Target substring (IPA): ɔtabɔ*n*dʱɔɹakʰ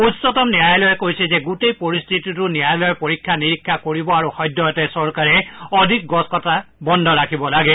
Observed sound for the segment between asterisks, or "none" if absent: n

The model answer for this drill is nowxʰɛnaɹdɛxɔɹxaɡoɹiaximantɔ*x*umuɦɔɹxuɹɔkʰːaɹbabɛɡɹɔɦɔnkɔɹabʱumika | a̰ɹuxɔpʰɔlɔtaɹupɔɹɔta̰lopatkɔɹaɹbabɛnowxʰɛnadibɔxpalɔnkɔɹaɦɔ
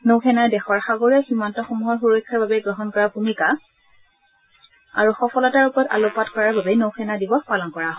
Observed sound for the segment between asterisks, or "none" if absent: x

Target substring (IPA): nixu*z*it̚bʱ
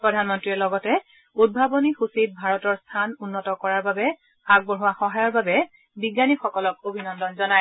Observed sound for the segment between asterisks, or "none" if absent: s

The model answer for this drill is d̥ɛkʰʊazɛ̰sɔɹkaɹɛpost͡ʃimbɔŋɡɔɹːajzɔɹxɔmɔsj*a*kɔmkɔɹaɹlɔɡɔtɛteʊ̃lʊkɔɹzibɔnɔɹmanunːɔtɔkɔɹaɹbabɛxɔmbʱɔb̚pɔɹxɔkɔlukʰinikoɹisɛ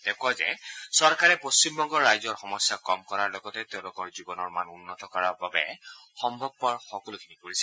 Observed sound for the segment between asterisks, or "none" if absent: a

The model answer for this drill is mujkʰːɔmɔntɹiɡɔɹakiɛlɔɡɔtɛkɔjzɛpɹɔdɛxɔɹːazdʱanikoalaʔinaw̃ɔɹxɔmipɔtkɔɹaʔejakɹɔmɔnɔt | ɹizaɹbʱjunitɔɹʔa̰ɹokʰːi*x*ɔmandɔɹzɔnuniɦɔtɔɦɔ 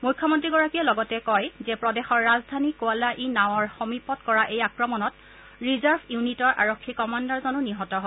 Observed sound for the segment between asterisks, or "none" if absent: k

